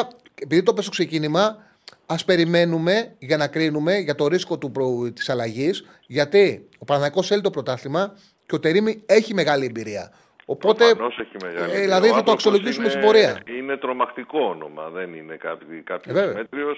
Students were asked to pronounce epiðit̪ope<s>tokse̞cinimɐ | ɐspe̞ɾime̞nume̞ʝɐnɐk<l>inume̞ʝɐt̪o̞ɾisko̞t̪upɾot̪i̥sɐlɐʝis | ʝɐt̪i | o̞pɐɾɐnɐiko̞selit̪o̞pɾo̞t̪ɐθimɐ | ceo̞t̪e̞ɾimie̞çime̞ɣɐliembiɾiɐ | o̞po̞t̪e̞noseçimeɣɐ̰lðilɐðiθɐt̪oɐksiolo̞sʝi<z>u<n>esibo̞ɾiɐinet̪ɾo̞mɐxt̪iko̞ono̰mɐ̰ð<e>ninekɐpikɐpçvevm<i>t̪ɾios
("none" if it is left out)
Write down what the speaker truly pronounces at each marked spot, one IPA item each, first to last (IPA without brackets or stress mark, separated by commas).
s, ɾ, s, m, e, e